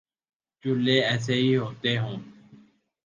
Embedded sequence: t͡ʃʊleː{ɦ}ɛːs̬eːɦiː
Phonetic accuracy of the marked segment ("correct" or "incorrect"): incorrect